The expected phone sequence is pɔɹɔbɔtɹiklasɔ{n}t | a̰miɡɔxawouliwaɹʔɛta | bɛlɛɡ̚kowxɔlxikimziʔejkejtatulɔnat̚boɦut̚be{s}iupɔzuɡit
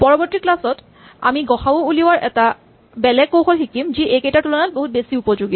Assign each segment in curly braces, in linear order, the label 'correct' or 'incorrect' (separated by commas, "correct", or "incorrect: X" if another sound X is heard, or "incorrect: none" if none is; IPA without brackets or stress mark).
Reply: incorrect: none, correct